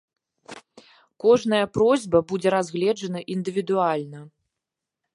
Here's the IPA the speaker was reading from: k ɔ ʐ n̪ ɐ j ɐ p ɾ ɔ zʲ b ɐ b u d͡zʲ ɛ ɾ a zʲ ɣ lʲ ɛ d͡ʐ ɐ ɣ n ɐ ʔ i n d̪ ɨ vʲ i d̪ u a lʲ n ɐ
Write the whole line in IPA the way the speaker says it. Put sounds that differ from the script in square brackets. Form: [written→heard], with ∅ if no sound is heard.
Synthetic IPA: k ɔ ʐ n̪ ɐ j ɐ p ɾ ɔ zʲ b ɐ b u d͡zʲ ɛ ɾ a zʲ ɣ lʲ ɛ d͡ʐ ɐ [ɣ→∅] n ɐ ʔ i n d̪ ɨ vʲ i d̪ u a lʲ n ɐ

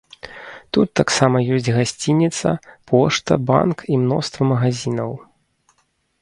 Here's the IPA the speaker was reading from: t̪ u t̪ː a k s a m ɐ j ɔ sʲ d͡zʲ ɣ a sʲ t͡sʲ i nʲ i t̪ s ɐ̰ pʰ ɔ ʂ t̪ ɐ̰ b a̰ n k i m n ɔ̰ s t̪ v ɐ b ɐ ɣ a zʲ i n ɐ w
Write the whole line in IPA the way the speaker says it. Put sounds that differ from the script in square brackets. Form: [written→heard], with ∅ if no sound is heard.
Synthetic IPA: t̪ u t̪ː a k s a m ɐ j ɔ sʲ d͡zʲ ɣ a sʲ t͡sʲ i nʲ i t̪ s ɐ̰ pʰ ɔ ʂ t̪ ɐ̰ b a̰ n k i m n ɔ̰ s t̪ v ɐ [b→m] ɐ ɣ a zʲ i n ɐ w

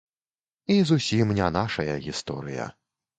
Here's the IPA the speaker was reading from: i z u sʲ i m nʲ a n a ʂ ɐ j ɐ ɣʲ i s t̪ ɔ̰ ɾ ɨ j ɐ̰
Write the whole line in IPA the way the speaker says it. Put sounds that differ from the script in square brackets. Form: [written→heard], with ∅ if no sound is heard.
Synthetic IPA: i z u sʲ i m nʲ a n a ʂ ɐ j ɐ ɣʲ i s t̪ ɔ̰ ɾ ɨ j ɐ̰

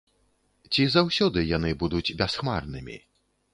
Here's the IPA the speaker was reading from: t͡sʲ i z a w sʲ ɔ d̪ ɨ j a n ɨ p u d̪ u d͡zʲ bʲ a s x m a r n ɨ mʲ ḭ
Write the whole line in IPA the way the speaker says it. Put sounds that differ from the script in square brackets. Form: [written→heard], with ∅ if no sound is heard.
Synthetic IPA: t͡sʲ i z a w sʲ ɔ d̪ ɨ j a n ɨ [p→b] u d̪ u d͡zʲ bʲ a s x m a r n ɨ mʲ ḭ

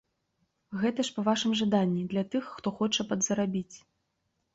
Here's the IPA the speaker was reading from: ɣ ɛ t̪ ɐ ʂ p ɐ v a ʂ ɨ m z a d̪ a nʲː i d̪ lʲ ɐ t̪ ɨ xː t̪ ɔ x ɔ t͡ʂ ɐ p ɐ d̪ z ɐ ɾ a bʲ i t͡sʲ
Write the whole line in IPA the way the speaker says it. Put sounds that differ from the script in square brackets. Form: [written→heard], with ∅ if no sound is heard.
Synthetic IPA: ɣ ɛ t̪ ɐ ʂ p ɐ v a ʂ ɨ m [z→ʐ] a d̪ a nʲː i d̪ lʲ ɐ t̪ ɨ xː t̪ ɔ x ɔ t͡ʂ ɐ p ɐ d̪ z ɐ ɾ a bʲ i t͡sʲ

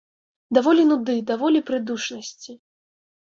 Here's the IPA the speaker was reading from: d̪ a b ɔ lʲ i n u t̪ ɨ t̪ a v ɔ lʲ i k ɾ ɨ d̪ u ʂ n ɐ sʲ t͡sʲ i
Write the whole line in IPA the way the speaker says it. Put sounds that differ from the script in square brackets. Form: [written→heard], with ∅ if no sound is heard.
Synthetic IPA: d̪ a [b→v] ɔ lʲ i n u [t̪→d̪] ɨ [t̪→d̪] a v ɔ lʲ i [k→p] ɾ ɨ d̪ u ʂ n ɐ sʲ t͡sʲ i

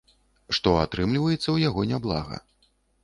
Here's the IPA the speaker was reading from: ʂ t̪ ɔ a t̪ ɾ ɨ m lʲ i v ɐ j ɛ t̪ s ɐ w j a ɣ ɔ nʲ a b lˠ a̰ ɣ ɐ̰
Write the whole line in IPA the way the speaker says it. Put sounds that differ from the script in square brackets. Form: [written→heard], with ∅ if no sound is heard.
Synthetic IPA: ʂ t̪ ɔ a t̪ ɾ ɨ m lʲ i v ɐ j ɛ t̪ [s→sː] ɐ w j a ɣ ɔ nʲ a b lˠ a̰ ɣ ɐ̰

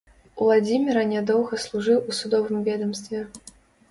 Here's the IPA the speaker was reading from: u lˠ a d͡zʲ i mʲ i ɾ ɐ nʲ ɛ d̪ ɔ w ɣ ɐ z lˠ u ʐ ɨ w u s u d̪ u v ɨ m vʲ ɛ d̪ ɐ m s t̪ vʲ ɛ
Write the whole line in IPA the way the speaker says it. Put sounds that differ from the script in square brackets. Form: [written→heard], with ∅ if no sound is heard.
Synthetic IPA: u lˠ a d͡zʲ i mʲ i ɾ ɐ nʲ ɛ d̪ ɔ w ɣ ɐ [z→s] lˠ u ʐ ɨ w u s u d̪ [u→ɔ] v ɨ m vʲ ɛ d̪ ɐ m s t̪ vʲ ɛ

